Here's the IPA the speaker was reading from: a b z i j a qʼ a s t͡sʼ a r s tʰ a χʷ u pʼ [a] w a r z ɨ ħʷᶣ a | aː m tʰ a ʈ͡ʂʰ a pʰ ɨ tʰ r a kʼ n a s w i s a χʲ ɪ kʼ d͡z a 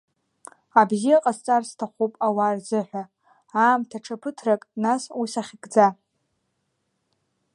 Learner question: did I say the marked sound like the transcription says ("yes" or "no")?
yes